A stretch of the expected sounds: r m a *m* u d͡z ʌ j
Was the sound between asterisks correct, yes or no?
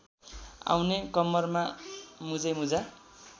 yes